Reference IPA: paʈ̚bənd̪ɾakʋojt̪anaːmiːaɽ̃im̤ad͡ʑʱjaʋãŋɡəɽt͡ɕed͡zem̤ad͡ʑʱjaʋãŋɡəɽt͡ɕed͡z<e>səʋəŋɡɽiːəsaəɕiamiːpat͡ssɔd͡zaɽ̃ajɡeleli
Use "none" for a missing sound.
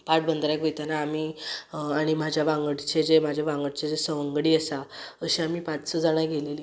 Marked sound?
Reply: e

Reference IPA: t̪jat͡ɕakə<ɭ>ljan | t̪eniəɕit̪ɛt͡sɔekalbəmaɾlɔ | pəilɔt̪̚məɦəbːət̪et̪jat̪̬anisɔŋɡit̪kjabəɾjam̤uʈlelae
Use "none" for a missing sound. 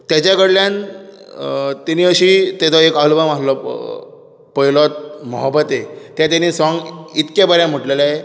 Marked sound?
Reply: ɽ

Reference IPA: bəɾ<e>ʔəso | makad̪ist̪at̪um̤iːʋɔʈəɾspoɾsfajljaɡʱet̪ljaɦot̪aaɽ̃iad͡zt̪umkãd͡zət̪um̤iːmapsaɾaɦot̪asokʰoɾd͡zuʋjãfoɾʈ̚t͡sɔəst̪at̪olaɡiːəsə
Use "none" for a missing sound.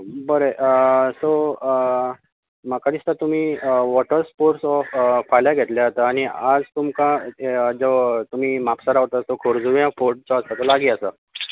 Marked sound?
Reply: e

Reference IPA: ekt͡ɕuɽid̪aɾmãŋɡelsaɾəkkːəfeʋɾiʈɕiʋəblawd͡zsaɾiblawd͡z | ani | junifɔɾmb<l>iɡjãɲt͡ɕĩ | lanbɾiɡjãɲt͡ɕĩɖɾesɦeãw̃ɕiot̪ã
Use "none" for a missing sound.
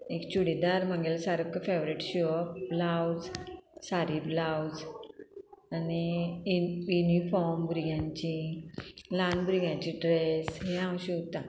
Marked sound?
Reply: ɾ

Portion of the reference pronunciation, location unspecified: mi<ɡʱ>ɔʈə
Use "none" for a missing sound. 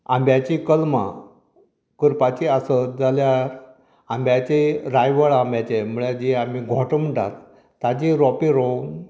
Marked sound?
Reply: ɡʱ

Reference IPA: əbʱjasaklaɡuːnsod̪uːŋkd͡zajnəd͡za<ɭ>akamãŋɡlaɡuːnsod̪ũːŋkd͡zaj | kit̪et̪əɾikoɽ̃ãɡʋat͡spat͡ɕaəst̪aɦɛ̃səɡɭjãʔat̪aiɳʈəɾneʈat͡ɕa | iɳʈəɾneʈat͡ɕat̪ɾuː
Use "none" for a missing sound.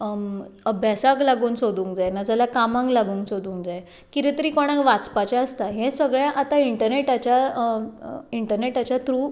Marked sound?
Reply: l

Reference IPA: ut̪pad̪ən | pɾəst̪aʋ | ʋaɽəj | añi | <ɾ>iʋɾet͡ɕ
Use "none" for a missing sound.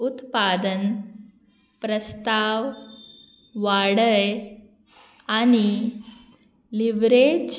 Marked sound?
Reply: l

